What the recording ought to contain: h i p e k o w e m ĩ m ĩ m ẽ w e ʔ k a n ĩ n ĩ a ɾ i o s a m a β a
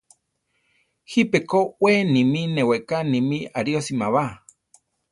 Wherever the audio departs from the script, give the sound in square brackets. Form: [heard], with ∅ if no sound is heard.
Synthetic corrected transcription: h i p e k o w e [n] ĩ m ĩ [n] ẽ w e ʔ k a n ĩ [m] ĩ a ɾ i o s [i] m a β a